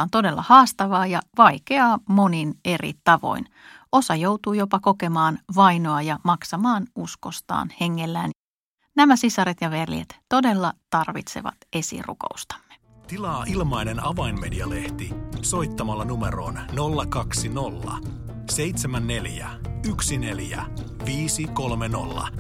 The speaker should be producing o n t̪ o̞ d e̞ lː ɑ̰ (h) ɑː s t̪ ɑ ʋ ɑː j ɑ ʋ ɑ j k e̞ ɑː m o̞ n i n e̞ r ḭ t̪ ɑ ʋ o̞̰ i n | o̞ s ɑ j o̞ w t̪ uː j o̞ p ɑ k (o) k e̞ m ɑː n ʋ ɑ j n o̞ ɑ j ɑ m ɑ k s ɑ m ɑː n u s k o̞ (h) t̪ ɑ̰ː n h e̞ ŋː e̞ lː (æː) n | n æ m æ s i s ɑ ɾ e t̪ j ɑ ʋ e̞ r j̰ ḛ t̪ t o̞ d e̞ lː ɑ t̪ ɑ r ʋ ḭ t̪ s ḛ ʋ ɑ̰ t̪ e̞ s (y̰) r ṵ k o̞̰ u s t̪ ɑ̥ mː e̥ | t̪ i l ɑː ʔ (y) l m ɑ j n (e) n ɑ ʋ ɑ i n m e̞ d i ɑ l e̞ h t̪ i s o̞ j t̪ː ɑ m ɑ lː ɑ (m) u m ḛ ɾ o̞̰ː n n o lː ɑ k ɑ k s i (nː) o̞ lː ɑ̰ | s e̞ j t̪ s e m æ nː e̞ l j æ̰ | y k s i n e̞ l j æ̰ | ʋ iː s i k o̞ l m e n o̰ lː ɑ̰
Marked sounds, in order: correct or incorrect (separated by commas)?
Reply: correct, correct, incorrect, correct, incorrect, incorrect, correct, incorrect, incorrect